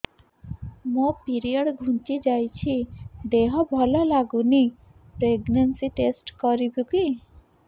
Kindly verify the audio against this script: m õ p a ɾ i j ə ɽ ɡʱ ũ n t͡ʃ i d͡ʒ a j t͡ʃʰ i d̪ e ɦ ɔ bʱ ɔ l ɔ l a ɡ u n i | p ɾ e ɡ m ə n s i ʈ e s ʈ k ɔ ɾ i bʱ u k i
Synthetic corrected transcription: m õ p i ɾ i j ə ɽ ɡʱ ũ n t͡ʃ i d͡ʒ a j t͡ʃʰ i d̪ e ɦ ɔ bʱ ɔ l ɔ l a ɡ u n i | p ɾ e ɡ n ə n s i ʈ e s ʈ k ɔ ɾ i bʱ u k i